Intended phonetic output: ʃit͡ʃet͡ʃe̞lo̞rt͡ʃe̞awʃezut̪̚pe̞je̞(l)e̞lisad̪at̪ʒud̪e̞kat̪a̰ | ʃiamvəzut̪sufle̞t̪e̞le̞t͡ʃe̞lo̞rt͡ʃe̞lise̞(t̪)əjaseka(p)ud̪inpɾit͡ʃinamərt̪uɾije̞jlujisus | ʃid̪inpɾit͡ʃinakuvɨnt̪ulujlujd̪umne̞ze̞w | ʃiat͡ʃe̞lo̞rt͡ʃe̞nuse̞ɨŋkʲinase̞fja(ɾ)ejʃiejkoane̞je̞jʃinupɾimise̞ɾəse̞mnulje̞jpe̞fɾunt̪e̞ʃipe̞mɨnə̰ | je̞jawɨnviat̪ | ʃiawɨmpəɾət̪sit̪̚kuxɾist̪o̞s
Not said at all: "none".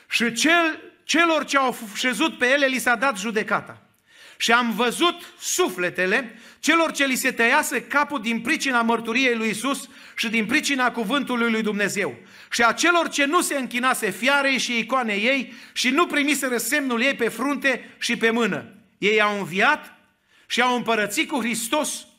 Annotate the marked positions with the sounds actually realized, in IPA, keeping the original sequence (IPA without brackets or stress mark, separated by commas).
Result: l, t̪, p, ɾ